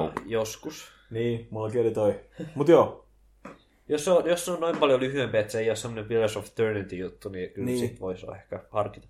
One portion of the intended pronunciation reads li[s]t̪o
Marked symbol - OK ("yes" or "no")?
no